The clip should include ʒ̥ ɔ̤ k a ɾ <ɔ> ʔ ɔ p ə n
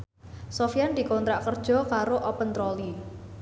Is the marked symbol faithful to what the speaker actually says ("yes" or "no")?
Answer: no